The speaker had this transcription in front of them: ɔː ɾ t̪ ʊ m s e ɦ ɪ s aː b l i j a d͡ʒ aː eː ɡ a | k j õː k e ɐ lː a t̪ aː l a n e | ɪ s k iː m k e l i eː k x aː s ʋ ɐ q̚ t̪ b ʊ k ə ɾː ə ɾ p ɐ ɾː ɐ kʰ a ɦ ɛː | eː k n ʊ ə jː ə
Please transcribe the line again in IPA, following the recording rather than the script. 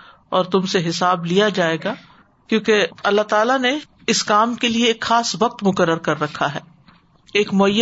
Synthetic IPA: ɔː ɾ t̪ ʊ m s e ɦ ɪ s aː b l i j a d͡ʒ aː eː ɡ a | k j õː k e ɐ lː a t̪ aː l a n e | ɪ s k aː m k e l i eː k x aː s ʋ ɐ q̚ t̪ m ʊ k ə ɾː ə ɾ k ɐ ɾː ɐ kʰ a ɦ ɛː | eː k m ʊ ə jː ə